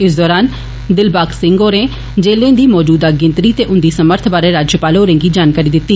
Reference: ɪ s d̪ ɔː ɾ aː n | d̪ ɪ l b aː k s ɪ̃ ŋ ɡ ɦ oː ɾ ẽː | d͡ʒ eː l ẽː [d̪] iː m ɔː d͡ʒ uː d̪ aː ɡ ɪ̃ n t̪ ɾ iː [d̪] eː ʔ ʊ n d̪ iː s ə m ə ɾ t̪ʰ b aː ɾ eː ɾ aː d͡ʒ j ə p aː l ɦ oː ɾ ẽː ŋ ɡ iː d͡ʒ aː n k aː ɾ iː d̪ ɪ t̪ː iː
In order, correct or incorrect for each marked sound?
correct, incorrect

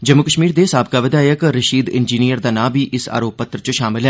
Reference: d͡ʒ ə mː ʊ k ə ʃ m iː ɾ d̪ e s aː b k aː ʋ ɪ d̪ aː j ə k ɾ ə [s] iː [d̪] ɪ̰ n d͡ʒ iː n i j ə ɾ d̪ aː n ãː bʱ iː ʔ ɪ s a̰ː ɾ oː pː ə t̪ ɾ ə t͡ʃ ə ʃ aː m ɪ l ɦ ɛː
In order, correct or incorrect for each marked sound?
incorrect, correct

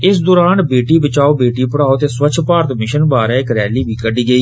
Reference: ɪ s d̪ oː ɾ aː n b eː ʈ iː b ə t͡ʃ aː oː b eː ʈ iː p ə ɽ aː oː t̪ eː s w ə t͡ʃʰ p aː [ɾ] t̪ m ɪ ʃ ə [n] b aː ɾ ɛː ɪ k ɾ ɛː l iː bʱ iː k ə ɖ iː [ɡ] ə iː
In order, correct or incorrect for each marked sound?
correct, correct, correct

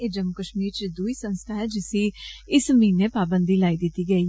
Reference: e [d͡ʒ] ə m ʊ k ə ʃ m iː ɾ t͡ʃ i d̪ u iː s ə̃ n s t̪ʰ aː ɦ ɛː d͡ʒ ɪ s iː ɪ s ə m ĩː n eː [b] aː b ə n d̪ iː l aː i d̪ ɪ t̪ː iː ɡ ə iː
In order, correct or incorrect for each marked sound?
correct, incorrect

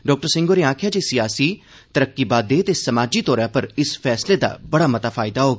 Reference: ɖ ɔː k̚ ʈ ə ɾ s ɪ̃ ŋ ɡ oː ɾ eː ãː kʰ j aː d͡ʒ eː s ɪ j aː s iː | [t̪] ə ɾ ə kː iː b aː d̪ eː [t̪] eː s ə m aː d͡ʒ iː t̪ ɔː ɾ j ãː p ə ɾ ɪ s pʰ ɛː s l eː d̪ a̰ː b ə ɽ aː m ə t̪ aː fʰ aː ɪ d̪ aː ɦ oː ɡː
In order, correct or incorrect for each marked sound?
correct, correct

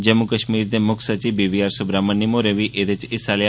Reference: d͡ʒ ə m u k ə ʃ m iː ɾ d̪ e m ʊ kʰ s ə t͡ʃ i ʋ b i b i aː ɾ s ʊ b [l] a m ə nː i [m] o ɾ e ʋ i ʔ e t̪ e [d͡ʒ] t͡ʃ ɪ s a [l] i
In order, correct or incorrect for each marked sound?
incorrect, correct, incorrect, correct

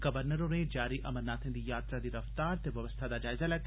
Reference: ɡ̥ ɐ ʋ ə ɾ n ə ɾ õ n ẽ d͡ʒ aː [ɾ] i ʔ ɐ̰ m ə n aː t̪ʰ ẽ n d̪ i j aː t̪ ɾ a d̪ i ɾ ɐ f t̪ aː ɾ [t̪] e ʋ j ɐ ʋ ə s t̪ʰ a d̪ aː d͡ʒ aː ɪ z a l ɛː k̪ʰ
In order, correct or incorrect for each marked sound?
correct, correct

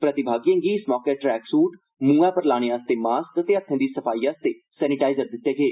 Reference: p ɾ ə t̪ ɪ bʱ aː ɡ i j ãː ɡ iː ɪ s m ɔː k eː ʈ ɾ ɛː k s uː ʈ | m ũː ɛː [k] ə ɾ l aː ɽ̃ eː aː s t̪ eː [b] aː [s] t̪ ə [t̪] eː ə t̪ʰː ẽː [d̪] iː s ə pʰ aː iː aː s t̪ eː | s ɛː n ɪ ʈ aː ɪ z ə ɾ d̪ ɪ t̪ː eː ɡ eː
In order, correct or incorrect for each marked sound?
incorrect, incorrect, correct, correct, correct

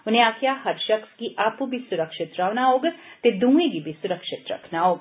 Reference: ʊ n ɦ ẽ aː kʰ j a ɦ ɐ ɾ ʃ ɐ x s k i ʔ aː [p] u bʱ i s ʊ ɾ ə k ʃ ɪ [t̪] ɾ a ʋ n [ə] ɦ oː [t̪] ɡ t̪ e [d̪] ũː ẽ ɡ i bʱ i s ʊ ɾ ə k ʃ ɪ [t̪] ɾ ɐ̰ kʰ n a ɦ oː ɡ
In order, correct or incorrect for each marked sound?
correct, correct, incorrect, incorrect, correct, correct

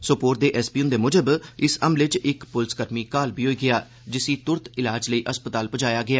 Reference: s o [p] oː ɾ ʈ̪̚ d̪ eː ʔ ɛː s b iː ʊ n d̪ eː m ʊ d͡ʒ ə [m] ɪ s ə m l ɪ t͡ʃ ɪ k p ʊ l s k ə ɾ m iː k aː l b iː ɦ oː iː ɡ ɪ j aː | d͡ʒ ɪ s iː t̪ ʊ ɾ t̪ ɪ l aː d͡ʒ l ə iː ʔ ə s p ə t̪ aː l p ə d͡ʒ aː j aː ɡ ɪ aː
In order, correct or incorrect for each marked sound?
correct, incorrect

